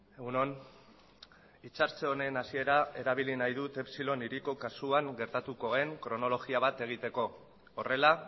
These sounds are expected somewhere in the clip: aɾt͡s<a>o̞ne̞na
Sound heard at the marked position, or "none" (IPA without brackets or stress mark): e